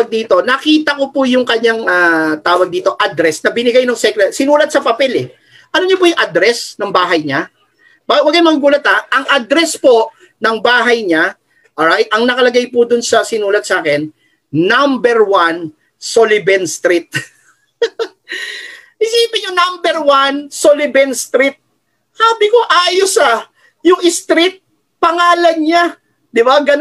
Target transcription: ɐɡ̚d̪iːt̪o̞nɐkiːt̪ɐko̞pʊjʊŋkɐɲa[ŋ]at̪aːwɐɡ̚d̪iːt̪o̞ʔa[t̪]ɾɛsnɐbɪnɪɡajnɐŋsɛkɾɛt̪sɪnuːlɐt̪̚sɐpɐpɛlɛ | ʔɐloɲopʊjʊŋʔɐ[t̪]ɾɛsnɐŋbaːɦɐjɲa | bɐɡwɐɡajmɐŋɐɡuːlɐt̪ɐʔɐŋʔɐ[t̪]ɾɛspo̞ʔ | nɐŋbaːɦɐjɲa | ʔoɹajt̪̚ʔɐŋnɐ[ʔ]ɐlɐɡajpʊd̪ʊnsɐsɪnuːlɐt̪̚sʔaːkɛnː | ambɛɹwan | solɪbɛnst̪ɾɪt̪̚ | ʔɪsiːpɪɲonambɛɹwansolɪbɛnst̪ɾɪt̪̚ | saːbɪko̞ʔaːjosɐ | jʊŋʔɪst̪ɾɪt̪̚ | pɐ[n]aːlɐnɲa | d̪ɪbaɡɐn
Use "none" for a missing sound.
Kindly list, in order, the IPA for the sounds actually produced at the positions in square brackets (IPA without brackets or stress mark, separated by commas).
ŋ, d̪, d̪, d̪, k, ŋ